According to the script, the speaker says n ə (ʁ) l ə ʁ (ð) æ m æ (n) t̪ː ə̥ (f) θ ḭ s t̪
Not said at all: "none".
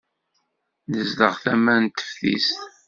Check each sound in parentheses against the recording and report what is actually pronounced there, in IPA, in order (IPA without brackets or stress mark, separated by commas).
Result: z, θ, n, f